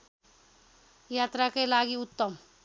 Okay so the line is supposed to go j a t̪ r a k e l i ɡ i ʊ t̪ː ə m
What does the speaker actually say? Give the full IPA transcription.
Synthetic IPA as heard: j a t̪ ɾ a k e l a ɡ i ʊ t̪ː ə m